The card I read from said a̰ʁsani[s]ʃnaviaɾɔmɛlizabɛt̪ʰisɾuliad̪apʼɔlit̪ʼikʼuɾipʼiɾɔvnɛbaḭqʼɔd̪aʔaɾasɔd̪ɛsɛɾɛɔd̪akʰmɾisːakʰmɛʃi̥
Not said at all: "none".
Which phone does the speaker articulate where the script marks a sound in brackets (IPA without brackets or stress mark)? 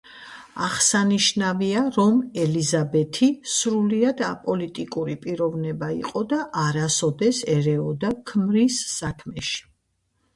none